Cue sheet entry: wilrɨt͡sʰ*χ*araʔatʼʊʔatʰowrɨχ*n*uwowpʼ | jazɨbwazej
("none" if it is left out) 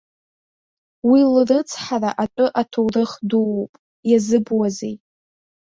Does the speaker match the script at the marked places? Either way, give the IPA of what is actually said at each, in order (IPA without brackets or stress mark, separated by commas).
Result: ħ, d